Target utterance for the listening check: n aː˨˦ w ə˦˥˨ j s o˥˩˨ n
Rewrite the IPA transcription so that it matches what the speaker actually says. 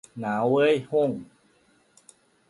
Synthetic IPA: n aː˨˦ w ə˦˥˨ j h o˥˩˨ ŋ